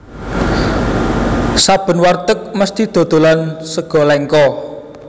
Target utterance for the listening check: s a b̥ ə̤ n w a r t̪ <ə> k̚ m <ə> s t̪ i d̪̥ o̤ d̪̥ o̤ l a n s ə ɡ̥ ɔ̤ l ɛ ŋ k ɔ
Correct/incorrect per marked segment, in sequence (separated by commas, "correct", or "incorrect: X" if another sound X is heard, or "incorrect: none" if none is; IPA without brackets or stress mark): correct, correct